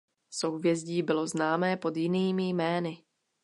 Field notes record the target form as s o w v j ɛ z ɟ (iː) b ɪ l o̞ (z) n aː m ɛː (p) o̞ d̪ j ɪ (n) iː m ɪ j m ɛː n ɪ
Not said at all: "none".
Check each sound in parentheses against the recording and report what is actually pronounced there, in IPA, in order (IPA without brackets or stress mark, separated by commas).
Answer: iː, z, p, n